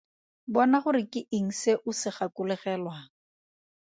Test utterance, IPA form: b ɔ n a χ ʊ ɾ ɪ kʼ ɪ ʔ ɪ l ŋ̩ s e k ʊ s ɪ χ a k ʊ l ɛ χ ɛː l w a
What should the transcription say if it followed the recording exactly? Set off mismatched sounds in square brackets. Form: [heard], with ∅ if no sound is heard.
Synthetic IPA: b ɔ n a χ ʊ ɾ ɪ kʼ ɪ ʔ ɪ [∅] ŋ̩ s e [ʔ] ʊ s ɪ χ a k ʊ l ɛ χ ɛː l w a